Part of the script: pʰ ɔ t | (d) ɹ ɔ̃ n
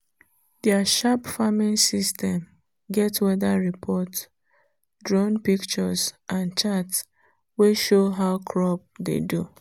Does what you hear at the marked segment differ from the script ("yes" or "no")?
no